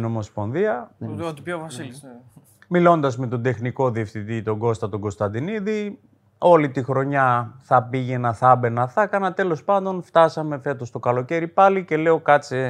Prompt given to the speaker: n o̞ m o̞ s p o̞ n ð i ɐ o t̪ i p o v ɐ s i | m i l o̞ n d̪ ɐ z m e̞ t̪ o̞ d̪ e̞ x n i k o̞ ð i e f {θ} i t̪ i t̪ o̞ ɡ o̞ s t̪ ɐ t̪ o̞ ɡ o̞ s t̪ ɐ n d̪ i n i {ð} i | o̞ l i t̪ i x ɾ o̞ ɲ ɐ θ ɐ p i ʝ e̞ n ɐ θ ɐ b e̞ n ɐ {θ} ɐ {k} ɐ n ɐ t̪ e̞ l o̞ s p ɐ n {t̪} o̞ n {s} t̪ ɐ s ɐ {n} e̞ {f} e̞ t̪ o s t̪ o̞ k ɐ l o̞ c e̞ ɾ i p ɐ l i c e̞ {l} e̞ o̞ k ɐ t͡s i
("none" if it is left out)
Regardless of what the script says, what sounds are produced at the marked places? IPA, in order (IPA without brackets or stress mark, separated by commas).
θ, ð, θ, k, d̪, f, m, f, l